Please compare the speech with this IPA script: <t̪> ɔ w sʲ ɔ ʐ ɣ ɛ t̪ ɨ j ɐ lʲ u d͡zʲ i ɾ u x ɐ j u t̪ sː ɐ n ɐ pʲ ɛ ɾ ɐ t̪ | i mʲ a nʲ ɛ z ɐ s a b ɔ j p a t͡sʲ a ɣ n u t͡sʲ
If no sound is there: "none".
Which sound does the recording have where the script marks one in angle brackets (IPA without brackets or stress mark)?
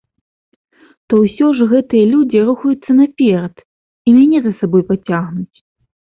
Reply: t̪